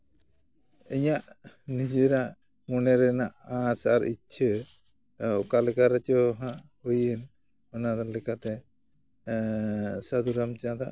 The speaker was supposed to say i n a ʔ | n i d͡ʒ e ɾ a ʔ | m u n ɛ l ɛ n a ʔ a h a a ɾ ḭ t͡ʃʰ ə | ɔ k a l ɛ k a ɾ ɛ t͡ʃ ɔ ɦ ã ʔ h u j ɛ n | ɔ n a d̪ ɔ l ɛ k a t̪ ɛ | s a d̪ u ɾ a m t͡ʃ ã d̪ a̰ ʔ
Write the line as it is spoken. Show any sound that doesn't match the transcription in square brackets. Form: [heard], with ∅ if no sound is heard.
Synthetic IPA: i [ɲ] a ʔ | n i d͡ʒ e ɾ a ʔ | m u n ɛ [ɾ] ɛ n a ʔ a [s] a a ɾ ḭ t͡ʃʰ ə | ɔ k a l ɛ k a ɾ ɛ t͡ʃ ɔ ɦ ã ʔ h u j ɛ n | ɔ n a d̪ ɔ l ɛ k a t̪ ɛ | s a d̪ u ɾ a m t͡ʃ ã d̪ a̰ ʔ